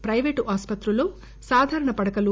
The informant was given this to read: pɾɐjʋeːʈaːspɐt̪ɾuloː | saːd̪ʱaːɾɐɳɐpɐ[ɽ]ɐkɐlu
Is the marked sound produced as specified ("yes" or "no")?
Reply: yes